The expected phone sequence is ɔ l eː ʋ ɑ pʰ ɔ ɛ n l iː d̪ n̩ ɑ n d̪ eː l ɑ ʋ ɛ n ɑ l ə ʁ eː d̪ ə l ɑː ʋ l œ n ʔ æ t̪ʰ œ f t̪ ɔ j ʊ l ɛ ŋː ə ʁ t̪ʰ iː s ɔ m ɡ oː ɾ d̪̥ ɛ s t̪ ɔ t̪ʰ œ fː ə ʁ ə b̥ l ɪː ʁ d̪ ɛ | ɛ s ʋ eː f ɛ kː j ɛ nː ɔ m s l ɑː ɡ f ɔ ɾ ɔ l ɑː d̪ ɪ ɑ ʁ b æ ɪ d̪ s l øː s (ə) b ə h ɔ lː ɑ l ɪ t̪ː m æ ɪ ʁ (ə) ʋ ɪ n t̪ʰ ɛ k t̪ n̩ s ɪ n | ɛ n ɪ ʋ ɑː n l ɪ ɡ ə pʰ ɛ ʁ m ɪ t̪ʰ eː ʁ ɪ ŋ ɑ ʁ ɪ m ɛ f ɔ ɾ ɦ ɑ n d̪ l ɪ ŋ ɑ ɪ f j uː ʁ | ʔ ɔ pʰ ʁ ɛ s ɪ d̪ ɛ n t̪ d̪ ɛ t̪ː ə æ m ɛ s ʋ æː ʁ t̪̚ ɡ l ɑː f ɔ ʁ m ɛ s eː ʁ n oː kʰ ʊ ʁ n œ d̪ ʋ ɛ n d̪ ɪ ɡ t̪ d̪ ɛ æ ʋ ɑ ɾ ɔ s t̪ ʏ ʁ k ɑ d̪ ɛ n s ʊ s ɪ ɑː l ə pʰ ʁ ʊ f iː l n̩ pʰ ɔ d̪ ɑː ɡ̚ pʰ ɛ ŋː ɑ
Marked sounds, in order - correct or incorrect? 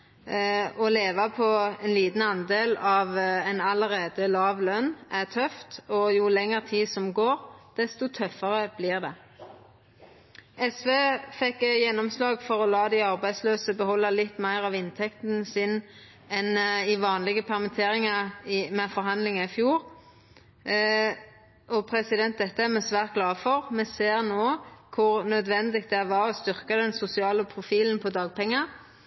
correct, incorrect

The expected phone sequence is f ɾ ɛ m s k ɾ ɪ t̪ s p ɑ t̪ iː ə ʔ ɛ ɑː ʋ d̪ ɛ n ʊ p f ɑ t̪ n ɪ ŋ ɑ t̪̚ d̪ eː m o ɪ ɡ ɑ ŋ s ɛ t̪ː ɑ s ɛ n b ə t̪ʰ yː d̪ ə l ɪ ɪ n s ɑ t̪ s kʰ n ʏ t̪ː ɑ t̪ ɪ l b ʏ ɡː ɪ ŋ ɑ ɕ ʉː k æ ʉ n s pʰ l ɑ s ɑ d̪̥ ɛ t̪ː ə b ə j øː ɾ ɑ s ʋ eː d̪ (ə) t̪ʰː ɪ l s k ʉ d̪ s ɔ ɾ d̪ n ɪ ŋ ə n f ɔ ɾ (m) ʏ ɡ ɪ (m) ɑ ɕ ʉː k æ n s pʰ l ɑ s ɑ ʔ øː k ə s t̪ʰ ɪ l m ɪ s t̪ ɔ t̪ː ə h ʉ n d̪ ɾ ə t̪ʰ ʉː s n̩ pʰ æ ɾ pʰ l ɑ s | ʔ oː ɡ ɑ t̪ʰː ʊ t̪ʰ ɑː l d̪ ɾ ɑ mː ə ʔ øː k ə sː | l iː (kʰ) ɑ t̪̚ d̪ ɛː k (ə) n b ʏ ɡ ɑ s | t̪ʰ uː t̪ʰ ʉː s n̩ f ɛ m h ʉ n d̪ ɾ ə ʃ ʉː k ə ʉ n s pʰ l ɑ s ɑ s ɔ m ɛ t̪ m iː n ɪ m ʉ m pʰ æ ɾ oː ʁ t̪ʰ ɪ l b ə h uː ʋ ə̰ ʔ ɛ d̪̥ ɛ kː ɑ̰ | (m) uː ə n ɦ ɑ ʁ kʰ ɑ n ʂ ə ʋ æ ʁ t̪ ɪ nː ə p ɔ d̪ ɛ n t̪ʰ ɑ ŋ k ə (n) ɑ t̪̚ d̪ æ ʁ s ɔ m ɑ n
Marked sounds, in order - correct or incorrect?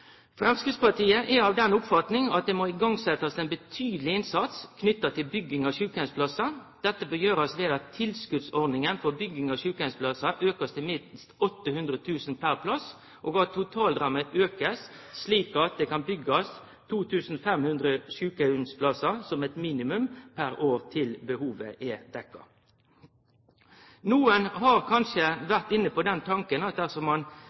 incorrect, incorrect, incorrect, incorrect, incorrect, incorrect, correct

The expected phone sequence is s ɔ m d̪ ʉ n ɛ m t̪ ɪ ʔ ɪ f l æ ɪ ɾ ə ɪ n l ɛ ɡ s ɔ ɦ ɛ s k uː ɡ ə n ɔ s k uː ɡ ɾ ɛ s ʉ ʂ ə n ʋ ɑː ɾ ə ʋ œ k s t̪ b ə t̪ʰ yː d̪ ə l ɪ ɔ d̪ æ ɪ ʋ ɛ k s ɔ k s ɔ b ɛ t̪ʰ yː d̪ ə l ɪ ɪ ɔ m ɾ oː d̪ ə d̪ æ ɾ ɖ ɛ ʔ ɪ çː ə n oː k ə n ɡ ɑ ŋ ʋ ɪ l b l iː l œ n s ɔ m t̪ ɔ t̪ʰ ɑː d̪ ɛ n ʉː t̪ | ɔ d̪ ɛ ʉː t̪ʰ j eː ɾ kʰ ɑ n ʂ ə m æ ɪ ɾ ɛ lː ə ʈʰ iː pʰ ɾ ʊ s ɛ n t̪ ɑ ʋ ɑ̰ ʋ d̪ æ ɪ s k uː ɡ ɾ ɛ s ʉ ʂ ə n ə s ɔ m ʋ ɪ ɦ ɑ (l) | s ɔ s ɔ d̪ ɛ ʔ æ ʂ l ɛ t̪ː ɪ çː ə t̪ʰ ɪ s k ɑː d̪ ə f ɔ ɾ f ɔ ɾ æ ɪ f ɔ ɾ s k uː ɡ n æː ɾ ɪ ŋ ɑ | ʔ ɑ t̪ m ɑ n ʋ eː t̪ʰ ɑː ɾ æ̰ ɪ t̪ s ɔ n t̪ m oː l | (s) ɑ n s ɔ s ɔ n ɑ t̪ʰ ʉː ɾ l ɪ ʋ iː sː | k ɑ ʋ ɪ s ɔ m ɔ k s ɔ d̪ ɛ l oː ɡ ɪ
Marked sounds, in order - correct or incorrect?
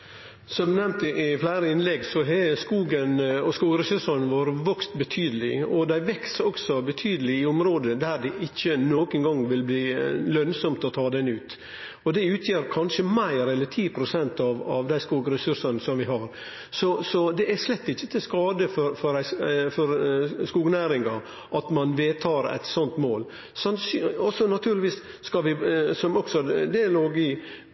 incorrect, correct

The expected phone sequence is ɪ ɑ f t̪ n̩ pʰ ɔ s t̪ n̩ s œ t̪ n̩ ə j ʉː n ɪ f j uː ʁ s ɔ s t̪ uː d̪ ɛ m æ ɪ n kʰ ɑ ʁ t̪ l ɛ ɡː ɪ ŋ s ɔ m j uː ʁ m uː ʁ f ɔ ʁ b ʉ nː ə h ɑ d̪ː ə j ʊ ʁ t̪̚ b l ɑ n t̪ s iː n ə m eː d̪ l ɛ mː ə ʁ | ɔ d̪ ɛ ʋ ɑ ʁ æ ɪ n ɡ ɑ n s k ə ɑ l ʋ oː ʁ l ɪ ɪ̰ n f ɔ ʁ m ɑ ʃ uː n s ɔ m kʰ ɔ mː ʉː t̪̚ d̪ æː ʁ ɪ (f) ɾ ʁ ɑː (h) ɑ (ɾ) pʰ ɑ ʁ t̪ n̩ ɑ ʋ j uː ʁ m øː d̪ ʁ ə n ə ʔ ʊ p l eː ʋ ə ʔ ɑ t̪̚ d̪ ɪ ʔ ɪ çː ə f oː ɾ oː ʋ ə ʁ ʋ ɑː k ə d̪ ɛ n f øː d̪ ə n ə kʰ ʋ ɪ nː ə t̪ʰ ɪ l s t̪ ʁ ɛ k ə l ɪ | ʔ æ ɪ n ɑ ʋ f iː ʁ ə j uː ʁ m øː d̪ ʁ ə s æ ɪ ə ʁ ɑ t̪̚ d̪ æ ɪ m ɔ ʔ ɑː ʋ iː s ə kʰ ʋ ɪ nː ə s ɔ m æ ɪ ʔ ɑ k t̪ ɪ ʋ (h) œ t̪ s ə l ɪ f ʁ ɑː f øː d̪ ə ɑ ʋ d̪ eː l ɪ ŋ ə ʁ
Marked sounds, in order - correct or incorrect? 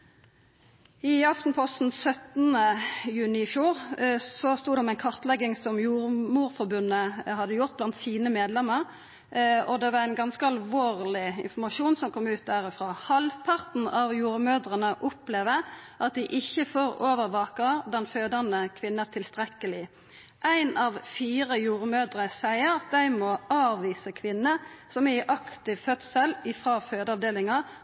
correct, correct, incorrect, incorrect

